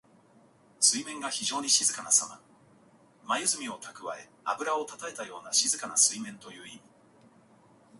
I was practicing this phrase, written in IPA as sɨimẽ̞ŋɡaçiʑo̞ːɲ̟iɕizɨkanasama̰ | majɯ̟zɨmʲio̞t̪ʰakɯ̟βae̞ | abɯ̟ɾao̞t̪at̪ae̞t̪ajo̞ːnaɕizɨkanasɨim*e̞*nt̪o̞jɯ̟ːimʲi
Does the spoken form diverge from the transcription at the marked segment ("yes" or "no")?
yes